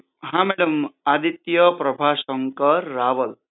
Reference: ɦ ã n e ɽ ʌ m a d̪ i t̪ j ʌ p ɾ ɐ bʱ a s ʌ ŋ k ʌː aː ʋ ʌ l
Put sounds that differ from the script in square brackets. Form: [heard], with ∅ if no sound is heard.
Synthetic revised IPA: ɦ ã [m] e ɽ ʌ m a d̪ i t̪ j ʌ p ɾ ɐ bʱ a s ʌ ŋ k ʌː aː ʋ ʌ l